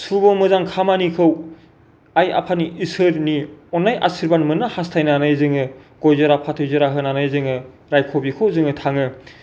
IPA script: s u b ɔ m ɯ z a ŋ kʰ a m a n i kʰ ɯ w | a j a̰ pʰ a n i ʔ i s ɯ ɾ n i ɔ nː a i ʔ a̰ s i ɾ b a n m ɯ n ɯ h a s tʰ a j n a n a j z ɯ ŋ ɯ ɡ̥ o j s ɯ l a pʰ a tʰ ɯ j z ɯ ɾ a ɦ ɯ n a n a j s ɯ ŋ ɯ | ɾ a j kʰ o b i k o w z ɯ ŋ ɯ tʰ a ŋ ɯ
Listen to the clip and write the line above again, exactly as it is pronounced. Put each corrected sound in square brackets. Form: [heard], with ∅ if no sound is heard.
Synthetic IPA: s u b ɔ m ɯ z a ŋ kʰ a m a n i kʰ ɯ w | a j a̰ pʰ a n i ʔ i s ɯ ɾ n i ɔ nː a [j] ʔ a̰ s i ɾ b a n m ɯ n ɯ h a s tʰ a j n a n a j z ɯ ŋ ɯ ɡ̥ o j [z] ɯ [ɾ] a pʰ a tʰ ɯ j z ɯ ɾ a ɦ ɯ n a n a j [z] ɯ ŋ ɯ | ɾ a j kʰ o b i [kʰ] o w z ɯ ŋ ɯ tʰ a ŋ ɯ